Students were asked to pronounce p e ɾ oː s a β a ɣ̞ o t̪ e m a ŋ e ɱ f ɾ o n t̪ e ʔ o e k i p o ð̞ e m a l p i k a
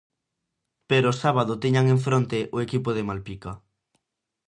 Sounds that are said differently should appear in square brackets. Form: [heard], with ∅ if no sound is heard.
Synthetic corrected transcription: p e ɾ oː s a β a [ð̞] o t̪ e [ɲ] a ŋ e ɱ f ɾ o n t̪ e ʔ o e k i p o ð̞ e m a l p i k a